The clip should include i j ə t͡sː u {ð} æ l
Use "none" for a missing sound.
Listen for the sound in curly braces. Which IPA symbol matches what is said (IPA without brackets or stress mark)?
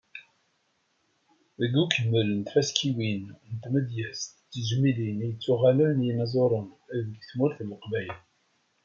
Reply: ʁ